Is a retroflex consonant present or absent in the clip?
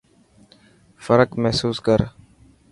absent